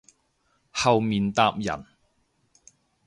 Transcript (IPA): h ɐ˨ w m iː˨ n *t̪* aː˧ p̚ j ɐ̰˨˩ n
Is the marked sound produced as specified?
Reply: yes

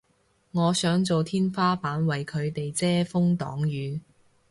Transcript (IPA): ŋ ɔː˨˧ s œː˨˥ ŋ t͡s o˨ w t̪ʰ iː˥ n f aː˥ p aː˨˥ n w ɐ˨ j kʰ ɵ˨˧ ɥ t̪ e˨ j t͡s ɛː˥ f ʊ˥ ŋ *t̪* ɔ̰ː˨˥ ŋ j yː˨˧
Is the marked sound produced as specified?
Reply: yes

